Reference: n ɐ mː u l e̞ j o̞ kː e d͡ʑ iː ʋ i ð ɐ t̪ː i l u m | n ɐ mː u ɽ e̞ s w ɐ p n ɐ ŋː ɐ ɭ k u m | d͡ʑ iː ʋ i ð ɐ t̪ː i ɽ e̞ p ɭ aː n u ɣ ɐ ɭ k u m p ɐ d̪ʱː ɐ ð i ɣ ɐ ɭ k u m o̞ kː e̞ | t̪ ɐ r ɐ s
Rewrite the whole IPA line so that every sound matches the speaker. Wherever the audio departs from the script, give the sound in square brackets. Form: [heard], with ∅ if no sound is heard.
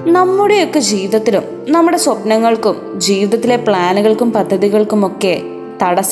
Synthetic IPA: n ɐ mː u [ɽ] e̞ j o̞ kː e d͡ʑ iː ʋ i ð ɐ t̪ː i l u m | n ɐ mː u ɽ e̞ s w ɐ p n ɐ ŋː ɐ ɭ k u m | d͡ʑ iː ʋ i ð ɐ t̪ː i [l] e̞ p ɭ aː n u ɣ ɐ ɭ k u m p ɐ d̪ʱː ɐ ð i ɣ ɐ ɭ k u m o̞ kː e̞ | t̪ ɐ [ɽ] ɐ s